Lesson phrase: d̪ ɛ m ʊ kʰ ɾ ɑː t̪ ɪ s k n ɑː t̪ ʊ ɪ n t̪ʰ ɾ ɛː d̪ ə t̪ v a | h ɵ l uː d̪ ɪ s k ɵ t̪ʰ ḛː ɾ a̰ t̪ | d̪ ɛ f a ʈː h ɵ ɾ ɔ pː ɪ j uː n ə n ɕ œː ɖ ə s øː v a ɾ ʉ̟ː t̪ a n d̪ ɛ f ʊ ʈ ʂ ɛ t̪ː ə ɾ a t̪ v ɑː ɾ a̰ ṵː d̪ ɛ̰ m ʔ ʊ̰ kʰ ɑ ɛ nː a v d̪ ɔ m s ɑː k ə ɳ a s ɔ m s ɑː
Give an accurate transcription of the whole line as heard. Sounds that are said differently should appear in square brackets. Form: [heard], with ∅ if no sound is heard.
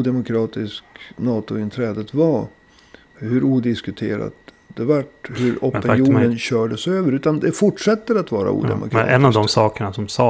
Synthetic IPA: d̪ ɛ m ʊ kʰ ɾ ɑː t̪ ɪ s k n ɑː t̪ ʊ ɪ n t̪ʰ ɾ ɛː d̪ ə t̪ v a | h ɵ [ɾ] uː d̪ ɪ s k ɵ t̪ʰ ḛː ɾ a̰ t̪ | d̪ ɛ [v] a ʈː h ɵ ɾ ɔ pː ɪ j uː n ə n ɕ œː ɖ ə s øː v [ə] ɾ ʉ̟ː t̪ a n d̪ ɛ f ʊ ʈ ʂ ɛ t̪ː ə ɾ a t̪ v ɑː ɾ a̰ ṵː d̪ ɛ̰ m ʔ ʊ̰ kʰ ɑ ɛ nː a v d̪ ɔ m s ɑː k ə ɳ a s ɔ m s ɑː